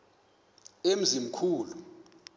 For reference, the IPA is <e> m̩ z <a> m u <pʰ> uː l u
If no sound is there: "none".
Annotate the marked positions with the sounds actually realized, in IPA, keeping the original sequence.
e, i, kʰ

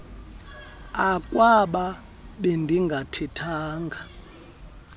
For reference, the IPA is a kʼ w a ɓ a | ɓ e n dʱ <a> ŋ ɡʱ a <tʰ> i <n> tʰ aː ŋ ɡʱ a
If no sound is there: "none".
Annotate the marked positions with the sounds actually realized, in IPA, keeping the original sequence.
i, tʰ, none

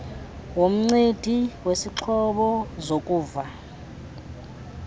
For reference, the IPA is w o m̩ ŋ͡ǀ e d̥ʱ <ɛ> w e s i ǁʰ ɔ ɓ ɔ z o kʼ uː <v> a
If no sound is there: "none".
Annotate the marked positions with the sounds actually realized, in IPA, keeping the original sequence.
i, v

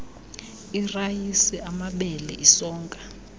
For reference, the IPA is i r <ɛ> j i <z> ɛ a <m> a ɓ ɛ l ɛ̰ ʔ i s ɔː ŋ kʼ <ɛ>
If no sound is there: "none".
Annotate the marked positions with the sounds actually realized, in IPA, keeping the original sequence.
a, s, m, a

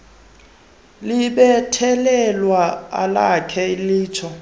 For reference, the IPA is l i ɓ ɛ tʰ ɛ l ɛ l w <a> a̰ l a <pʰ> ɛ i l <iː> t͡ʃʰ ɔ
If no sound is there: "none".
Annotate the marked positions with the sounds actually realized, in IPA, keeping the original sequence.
a, kʰ, iː

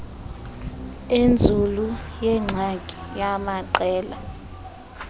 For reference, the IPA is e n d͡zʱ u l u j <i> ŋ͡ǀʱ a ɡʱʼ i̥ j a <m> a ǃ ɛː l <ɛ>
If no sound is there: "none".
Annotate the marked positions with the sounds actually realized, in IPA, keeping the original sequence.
ɛ, m, a

